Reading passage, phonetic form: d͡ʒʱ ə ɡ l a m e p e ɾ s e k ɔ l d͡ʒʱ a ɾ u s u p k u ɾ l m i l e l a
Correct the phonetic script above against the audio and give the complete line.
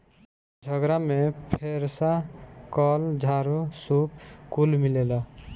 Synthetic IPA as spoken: d͡ʒʱ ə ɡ ɾ a m e pʰ e ɾ s a k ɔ l d͡ʒʱ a ɾ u s u p k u l m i l e l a